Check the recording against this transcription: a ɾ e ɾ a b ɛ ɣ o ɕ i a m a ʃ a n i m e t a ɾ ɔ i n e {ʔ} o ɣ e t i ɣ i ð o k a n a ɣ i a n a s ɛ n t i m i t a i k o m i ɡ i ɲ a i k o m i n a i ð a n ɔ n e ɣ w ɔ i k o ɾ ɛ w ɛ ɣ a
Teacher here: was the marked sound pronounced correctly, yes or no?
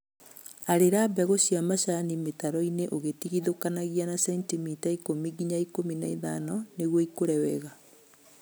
yes